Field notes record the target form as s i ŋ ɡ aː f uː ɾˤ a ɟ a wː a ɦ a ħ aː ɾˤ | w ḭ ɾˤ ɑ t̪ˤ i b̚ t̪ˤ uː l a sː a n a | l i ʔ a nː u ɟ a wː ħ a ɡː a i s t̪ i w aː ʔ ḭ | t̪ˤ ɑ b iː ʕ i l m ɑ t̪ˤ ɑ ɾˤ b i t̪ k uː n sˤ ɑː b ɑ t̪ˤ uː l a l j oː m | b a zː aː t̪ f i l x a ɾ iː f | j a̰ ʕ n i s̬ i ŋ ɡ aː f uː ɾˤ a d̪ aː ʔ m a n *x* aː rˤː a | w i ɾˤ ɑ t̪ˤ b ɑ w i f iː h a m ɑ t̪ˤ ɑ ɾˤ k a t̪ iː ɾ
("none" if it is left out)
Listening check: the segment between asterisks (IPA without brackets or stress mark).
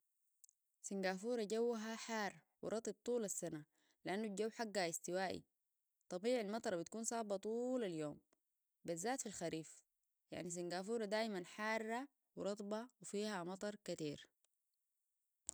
ħ